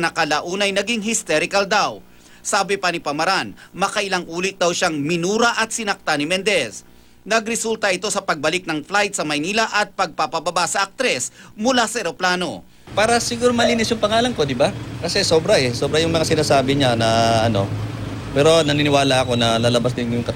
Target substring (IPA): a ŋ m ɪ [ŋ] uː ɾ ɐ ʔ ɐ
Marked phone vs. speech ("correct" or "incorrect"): incorrect